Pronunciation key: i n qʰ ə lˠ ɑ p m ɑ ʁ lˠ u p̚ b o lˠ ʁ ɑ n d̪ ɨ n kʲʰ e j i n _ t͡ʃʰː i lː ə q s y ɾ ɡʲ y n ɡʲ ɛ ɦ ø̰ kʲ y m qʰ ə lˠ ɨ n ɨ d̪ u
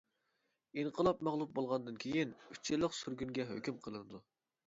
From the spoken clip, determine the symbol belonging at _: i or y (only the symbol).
y